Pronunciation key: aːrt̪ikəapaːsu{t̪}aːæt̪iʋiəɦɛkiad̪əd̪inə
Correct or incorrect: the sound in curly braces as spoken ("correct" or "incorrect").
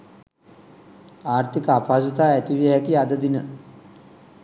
correct